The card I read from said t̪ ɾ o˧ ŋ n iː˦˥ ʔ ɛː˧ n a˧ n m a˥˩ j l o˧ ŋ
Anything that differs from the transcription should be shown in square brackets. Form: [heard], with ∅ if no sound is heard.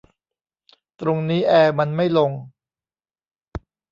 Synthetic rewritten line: t̪ ɾ o˧ ŋ n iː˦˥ ʔ ɛː˧ [m] a˧ n m a˥˩ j l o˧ ŋ